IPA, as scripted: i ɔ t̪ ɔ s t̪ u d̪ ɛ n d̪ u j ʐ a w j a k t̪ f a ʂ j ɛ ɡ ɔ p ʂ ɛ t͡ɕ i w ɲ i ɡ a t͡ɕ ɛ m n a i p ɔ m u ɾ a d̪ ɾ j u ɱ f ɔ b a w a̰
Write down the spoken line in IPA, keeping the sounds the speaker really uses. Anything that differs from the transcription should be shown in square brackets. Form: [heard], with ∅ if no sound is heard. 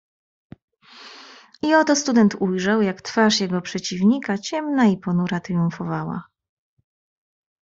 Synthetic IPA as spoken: i ɔ t̪ ɔ s t̪ u d̪ ɛ n [t̪] u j ʐ a w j a k t̪ f a ʂ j ɛ ɡ ɔ p ʂ ɛ t͡ɕ i [v] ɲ i [k] a t͡ɕ ɛ m n a i p ɔ [n] u ɾ a [t̪] ɾ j u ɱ f ɔ [v] a w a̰